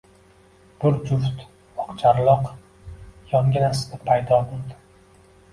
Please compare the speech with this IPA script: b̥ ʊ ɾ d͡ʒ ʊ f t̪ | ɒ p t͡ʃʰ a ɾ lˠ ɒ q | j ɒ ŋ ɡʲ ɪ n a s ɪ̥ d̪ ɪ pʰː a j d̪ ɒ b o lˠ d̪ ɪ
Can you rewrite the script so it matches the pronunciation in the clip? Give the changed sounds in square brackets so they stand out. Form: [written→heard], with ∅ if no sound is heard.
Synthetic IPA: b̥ ʊ ɾ d͡ʒ ʊ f t̪ | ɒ [p→q] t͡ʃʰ a ɾ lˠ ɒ q | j ɒ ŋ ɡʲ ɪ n a s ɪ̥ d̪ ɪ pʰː a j d̪ ɒ b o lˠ d̪ ɪ